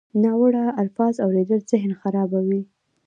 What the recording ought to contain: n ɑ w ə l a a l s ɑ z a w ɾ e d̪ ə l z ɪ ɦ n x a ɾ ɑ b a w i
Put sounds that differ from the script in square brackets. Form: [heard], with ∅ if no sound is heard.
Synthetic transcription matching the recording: n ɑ w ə [ɽ] a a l [f] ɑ z a w ɾ e d̪ ə l z ɪ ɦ n x a ɾ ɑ b a w i